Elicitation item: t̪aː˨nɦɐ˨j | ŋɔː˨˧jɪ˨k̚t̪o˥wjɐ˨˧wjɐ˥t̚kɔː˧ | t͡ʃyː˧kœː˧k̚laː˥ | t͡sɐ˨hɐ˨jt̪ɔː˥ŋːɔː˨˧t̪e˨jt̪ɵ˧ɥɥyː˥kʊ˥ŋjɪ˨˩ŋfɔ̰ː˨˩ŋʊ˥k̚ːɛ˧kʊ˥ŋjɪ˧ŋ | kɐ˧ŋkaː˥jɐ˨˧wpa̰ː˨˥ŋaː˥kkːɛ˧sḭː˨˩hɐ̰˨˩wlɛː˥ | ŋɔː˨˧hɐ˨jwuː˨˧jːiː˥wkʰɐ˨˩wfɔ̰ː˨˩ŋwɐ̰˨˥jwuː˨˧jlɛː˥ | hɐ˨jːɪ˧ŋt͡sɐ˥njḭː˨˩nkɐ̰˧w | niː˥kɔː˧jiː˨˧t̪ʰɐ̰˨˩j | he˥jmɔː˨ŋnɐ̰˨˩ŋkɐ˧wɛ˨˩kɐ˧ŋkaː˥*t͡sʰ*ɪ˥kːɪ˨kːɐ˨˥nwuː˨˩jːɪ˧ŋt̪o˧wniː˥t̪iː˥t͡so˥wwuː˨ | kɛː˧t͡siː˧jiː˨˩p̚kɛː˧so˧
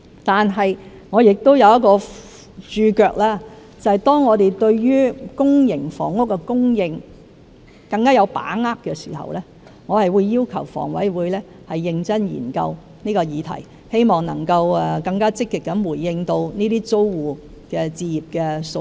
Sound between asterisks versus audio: incorrect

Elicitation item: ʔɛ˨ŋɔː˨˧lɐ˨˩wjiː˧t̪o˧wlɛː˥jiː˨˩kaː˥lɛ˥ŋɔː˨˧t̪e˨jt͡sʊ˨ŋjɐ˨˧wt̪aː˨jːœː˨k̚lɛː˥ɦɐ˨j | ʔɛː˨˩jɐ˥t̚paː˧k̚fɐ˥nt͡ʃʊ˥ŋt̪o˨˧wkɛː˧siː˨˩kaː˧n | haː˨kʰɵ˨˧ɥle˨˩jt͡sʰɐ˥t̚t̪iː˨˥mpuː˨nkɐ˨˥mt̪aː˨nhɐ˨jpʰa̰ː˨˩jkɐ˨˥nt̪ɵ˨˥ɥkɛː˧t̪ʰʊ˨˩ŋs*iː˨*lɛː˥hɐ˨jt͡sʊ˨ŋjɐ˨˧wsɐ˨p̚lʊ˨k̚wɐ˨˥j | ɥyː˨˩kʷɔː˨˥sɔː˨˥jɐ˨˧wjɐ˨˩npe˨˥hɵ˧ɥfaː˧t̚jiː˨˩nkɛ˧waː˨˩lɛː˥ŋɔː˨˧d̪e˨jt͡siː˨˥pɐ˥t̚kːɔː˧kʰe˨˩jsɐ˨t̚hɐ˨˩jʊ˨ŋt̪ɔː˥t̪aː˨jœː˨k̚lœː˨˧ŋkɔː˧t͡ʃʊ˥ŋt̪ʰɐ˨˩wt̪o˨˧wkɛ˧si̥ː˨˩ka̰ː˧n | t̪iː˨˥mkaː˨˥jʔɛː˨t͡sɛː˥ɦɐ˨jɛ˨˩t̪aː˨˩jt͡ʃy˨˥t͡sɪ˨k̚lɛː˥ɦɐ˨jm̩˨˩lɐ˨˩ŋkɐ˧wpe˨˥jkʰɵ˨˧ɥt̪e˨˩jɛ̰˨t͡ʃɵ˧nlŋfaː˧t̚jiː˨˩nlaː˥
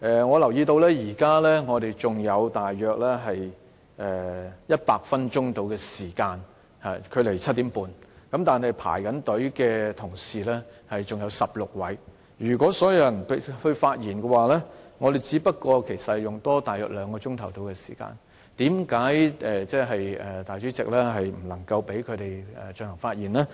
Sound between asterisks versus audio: correct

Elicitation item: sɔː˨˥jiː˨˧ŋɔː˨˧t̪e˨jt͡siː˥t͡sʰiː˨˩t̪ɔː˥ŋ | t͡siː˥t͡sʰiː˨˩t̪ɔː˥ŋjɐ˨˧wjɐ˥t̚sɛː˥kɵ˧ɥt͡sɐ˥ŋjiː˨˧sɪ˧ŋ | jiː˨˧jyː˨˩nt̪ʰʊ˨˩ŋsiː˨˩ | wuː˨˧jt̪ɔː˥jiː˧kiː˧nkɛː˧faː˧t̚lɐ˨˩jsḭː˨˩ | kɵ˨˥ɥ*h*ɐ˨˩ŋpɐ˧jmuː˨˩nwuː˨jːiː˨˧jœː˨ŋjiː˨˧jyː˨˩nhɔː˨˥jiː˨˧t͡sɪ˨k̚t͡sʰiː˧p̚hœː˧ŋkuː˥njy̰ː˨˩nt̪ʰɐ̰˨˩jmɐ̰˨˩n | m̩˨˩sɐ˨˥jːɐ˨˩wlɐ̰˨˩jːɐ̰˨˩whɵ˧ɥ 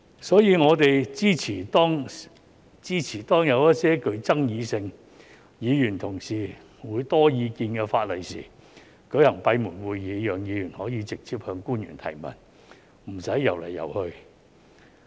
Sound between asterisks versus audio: correct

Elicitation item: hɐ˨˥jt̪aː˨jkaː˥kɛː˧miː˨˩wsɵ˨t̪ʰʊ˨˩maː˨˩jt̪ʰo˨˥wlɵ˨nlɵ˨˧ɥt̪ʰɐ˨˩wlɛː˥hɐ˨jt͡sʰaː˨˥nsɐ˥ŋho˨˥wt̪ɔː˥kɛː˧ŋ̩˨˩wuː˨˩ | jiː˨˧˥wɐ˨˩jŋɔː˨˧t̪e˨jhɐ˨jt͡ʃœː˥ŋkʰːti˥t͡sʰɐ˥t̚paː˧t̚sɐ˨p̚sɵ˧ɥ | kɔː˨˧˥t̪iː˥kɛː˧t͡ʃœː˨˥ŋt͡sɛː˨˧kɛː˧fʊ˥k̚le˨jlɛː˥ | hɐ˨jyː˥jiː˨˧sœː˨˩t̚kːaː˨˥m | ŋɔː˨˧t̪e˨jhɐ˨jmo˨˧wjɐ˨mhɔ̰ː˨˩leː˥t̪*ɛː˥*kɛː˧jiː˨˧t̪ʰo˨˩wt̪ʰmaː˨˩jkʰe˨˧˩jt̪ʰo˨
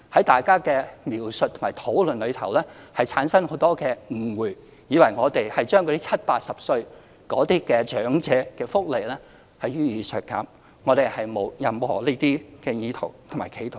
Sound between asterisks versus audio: incorrect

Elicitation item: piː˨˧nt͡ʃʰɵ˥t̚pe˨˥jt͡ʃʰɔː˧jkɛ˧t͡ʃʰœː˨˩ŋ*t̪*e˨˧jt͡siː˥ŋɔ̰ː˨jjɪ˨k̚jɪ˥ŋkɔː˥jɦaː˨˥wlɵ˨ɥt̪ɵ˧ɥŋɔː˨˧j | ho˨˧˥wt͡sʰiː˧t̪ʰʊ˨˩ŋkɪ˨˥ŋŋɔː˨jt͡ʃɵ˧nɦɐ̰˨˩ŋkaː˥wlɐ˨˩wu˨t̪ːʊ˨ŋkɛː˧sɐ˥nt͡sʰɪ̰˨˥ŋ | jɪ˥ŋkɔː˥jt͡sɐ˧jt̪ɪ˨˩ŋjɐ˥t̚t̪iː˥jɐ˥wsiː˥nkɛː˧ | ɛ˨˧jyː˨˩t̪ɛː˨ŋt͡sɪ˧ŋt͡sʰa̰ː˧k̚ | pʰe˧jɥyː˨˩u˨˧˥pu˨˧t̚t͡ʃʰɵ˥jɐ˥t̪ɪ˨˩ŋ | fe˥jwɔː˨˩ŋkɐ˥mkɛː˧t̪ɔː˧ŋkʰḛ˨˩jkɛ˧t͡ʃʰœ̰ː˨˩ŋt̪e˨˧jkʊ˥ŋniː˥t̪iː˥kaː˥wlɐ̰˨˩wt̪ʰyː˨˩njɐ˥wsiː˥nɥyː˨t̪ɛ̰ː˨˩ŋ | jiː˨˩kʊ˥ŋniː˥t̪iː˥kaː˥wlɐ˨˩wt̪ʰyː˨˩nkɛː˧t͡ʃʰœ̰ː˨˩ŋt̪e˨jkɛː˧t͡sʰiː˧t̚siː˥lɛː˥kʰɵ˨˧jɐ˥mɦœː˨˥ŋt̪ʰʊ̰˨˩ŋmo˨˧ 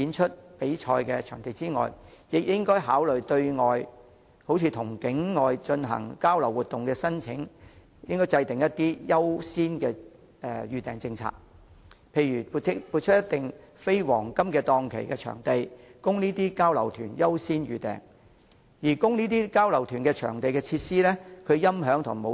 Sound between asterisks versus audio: correct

